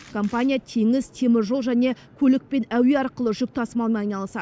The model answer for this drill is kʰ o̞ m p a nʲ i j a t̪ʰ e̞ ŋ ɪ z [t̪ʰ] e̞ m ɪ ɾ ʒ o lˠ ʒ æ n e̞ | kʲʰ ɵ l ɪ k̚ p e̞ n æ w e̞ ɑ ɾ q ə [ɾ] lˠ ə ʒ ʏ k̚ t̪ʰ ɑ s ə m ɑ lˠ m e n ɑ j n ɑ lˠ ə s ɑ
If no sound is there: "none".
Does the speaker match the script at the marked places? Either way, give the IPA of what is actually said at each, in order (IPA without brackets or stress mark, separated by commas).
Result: t̪ʰ, none